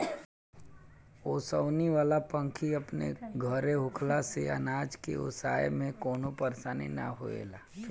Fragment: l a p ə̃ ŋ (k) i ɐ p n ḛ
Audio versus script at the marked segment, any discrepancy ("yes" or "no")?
yes